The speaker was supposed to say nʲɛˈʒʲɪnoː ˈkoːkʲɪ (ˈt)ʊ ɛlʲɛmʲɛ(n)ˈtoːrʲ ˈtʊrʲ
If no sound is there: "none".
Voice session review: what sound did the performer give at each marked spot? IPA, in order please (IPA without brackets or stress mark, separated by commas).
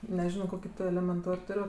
t, n